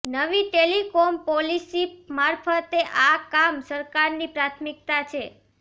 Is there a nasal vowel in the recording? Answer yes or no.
no